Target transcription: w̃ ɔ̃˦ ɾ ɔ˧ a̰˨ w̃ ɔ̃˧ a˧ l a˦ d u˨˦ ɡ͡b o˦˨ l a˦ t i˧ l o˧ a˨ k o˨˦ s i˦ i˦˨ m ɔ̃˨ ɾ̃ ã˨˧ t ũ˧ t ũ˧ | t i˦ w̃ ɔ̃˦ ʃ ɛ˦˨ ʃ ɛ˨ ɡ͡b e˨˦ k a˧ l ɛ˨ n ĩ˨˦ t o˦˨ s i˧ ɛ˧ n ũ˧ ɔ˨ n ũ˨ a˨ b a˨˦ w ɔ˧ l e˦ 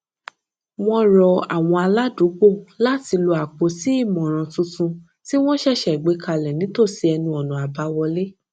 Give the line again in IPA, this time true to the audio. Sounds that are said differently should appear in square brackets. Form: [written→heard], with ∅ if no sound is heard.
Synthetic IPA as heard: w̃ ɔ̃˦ ɾ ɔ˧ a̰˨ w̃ ɔ̃˧ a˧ l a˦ d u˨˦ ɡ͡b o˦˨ l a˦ t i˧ l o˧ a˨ [k→k͡p] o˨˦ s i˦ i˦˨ m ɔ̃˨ ɾ̃ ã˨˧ t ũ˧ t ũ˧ | t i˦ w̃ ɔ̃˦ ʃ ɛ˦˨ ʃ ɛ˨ ɡ͡b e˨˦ k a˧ l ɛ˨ n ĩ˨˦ t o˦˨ s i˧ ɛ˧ n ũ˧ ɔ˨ n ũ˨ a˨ b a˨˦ w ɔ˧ l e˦